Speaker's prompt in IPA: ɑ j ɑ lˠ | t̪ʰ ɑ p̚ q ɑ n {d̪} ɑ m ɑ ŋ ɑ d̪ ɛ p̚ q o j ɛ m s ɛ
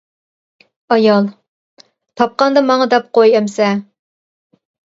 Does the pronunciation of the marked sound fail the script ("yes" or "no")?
no